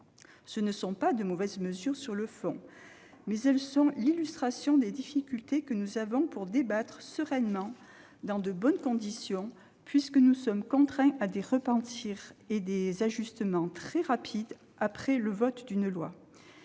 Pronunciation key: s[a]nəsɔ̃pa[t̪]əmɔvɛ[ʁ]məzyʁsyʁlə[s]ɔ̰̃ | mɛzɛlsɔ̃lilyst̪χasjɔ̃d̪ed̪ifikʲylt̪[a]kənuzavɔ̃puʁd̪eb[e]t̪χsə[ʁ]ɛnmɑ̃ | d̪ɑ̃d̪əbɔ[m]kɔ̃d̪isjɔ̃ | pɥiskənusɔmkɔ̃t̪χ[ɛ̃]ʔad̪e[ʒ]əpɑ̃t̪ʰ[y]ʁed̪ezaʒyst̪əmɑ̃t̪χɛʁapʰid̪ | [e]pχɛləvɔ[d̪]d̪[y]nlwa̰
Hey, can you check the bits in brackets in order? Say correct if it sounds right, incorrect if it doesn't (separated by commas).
incorrect, incorrect, incorrect, incorrect, incorrect, incorrect, correct, incorrect, correct, incorrect, incorrect, incorrect, incorrect, correct